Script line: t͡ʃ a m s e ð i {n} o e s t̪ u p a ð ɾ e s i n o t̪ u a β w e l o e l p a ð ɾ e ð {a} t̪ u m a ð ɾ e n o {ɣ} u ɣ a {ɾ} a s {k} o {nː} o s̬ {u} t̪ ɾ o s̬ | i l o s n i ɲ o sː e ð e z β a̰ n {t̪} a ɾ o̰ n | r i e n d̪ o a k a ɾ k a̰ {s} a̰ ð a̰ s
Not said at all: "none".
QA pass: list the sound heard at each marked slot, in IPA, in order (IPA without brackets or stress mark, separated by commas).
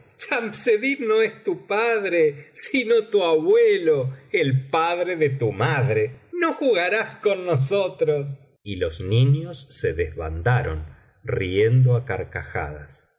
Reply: n, e, x, ɾ, k, nː, o, d̪, x